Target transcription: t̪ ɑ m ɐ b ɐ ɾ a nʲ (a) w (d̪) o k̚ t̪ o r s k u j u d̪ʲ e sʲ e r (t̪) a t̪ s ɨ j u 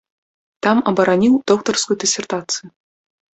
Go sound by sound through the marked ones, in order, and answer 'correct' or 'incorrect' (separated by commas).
incorrect, correct, correct